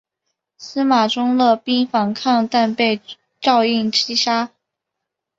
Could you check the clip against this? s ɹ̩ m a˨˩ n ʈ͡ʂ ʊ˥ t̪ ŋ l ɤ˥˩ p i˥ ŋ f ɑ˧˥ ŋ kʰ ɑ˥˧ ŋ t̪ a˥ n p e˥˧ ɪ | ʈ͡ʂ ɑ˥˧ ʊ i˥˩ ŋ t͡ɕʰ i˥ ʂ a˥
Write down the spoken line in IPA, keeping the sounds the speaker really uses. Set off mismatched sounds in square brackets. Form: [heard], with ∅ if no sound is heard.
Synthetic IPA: s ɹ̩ m a˨˩ [∅] ʈ͡ʂ ʊ˥ [∅] ŋ l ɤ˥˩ p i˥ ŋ f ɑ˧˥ ŋ kʰ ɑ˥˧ ŋ t̪ [a˥˧] n p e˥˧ ɪ | ʈ͡ʂ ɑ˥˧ ʊ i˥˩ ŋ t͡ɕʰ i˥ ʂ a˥

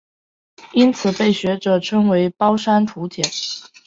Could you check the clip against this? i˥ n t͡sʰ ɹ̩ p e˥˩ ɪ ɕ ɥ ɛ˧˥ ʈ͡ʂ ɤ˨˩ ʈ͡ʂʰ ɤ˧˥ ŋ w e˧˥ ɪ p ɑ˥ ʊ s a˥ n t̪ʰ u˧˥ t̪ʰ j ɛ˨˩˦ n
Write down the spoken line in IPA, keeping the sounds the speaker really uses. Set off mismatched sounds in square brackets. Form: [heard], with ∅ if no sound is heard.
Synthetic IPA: i˥ n t͡sʰ ɹ̩ p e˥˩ ɪ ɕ ɥ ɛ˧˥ ʈ͡ʂ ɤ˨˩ ʈ͡ʂʰ [ɤ˥] ŋ w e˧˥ ɪ p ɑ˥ ʊ [ʂ] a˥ n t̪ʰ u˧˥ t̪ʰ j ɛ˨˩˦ n

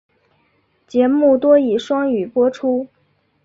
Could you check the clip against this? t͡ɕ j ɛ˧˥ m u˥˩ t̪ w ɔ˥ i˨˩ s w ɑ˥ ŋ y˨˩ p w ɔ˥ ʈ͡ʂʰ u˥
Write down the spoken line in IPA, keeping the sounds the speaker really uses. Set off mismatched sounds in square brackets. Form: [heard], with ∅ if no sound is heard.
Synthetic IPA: t͡ɕ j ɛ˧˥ m u˥˩ t̪ w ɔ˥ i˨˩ [ʂ] w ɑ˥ ŋ y˨˩ p w ɔ˥ ʈ͡ʂʰ u˥

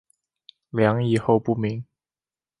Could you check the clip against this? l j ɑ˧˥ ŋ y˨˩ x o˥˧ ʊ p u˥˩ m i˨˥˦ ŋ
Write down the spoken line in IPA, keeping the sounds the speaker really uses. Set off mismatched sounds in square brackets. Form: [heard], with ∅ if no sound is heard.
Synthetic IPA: l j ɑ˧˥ ŋ [i˨˩] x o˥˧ ʊ p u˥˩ m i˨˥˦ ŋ

